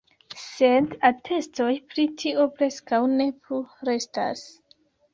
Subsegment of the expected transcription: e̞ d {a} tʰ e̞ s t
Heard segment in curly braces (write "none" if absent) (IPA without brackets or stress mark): a